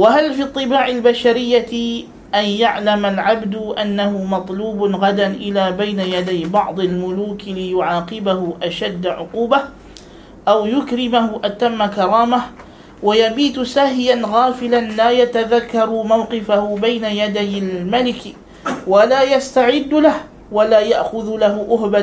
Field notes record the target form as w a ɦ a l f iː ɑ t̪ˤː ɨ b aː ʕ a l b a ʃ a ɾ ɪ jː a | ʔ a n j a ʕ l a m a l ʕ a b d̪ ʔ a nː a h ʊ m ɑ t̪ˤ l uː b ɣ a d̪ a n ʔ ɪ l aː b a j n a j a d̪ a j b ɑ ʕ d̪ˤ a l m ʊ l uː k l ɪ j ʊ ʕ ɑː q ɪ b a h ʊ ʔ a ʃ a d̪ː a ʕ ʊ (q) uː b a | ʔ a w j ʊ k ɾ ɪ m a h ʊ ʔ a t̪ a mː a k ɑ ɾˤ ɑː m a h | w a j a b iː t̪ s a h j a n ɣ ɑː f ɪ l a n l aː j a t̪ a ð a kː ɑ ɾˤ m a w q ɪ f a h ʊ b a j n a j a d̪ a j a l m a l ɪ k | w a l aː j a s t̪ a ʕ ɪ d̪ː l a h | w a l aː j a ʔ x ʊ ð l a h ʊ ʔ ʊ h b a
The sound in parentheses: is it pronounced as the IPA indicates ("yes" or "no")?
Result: yes